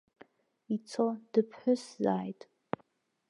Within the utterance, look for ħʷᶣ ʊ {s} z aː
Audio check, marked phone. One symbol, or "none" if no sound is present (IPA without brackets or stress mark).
s